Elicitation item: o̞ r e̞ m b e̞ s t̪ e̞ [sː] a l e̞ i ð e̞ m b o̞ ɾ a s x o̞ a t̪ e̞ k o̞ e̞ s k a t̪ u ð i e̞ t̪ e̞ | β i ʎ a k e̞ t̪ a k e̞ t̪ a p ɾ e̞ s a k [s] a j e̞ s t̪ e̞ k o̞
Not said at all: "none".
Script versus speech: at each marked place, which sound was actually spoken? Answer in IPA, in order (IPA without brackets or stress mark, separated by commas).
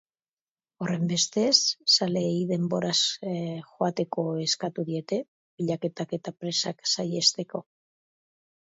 sː, s